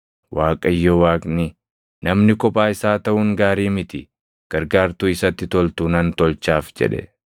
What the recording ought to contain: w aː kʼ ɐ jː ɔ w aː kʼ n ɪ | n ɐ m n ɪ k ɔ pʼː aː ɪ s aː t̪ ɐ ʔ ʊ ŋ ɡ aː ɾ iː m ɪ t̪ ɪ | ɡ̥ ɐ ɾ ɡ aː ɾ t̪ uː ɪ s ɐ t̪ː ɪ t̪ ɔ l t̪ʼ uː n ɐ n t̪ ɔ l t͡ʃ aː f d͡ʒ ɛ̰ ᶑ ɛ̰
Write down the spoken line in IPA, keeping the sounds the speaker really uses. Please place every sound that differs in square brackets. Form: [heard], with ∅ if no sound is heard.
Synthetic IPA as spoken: w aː kʼ ɐ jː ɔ w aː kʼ n ɪ | n ɐ m n ɪ k ɔ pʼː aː ɪ s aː t̪ ɐ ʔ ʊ ŋ ɡ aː ɾ iː m ɪ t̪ ɪ | ɡ̥ ɐ ɾ ɡ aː ɾ t̪ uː ɪ s ɐ t̪ː ɪ t̪ ɔ l [t̪] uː n ɐ n t̪ ɔ l t͡ʃ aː f d͡ʒ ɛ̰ ᶑ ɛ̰